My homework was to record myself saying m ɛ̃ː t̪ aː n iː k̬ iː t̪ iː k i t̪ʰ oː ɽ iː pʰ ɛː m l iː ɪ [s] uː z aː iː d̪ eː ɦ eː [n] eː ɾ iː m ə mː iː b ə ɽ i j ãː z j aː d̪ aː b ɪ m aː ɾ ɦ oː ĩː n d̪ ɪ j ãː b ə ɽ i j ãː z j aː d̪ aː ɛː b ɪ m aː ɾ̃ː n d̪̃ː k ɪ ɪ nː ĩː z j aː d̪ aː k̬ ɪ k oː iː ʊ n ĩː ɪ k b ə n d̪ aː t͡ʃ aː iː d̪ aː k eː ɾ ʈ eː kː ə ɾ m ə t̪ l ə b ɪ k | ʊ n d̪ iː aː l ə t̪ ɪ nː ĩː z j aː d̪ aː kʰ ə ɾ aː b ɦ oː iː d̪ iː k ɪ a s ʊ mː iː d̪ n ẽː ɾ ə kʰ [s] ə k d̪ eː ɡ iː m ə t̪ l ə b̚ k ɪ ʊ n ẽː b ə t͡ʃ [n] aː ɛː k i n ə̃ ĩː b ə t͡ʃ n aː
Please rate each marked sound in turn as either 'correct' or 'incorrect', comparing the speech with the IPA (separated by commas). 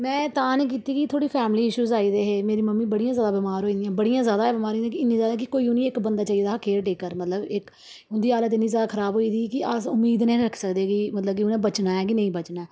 incorrect, incorrect, correct, correct